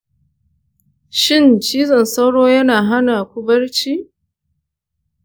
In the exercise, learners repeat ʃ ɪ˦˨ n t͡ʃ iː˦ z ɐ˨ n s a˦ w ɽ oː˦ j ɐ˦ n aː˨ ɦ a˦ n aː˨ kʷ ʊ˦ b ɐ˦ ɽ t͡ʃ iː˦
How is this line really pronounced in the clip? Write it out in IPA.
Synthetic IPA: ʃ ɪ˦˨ n t͡ʃ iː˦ z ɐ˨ n s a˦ w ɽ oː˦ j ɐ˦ n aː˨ ɦ a˦ n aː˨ kʷ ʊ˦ b ɐ˦ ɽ t͡ʃ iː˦